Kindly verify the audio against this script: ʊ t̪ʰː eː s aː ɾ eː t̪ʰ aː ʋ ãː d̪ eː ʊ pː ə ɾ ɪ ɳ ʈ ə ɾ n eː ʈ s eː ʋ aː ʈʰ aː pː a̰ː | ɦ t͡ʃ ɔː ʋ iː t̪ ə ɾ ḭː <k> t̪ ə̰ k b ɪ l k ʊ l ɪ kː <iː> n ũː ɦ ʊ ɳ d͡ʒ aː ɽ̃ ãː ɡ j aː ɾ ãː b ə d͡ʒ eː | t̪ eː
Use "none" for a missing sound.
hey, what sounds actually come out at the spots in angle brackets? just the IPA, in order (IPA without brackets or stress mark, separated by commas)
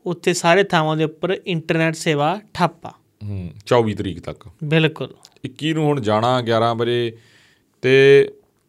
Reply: k, iː